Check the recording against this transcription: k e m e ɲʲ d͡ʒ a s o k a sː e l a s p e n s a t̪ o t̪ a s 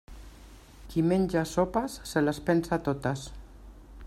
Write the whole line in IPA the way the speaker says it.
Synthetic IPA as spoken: k i m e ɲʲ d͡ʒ a s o p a sː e l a s p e n s a t̪ o t̪ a s